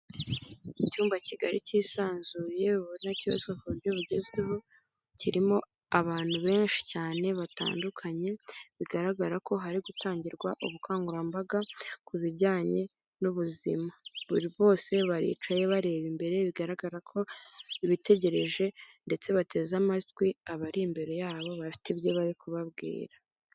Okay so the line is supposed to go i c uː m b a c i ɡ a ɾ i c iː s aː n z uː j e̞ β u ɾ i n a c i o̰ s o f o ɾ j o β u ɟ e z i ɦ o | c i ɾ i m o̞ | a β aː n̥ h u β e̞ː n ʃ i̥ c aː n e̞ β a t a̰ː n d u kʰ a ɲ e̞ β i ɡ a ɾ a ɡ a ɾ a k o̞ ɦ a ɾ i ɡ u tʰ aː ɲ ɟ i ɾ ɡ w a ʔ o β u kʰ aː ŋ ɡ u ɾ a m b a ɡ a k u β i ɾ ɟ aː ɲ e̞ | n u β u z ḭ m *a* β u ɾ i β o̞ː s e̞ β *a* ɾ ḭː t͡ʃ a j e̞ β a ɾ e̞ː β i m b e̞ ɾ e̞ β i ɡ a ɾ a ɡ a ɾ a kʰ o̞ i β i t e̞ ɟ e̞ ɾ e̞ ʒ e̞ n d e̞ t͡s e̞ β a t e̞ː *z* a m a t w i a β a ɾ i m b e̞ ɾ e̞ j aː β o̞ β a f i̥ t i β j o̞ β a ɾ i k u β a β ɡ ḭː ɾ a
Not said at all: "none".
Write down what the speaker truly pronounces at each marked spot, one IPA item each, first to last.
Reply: a, a, z

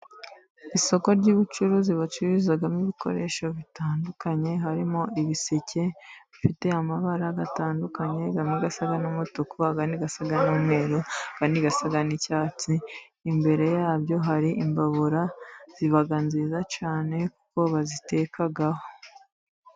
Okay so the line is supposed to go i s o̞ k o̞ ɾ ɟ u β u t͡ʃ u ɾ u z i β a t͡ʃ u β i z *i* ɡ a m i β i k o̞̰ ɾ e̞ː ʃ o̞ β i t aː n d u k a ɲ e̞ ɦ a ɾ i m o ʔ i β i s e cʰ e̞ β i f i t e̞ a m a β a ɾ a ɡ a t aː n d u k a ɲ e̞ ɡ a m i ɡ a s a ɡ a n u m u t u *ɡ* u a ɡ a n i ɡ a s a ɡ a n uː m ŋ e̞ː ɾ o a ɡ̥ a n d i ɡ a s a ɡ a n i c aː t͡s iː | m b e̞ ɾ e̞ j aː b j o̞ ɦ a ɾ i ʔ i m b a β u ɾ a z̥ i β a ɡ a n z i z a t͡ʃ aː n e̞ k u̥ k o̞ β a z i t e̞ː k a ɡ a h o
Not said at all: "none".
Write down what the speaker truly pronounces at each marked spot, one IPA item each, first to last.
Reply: a, k

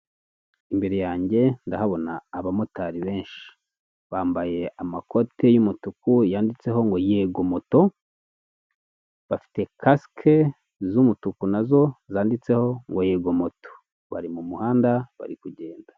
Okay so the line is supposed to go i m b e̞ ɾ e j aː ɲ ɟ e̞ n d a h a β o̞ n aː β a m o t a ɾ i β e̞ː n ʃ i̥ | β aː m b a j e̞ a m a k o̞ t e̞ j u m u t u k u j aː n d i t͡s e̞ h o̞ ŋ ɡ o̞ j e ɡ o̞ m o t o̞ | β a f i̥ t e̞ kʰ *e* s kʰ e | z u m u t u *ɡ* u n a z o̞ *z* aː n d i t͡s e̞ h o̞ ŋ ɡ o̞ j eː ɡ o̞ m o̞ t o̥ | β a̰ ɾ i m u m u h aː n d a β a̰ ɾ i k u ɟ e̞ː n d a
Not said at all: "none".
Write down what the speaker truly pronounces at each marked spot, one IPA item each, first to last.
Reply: a, k, z

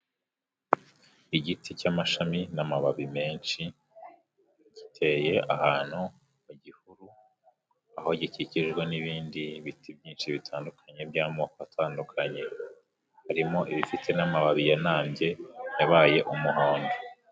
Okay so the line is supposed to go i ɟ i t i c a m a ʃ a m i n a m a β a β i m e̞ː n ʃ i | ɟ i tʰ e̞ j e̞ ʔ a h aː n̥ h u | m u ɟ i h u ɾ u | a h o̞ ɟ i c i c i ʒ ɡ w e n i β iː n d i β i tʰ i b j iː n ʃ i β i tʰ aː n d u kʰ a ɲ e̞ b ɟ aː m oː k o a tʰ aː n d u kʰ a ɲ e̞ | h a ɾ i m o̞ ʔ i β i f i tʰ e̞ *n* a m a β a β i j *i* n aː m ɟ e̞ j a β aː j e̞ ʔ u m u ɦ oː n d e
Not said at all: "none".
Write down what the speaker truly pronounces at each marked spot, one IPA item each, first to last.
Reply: n, a

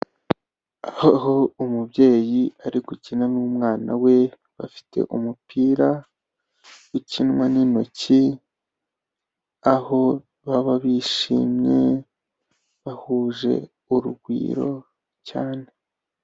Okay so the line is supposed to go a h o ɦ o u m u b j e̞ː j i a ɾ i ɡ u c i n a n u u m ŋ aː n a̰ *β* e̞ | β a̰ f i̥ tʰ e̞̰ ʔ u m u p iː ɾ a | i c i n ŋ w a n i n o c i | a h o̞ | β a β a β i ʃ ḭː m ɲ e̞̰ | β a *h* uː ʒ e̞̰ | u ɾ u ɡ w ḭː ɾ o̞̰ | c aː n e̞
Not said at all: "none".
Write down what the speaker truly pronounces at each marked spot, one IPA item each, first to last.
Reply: w, h

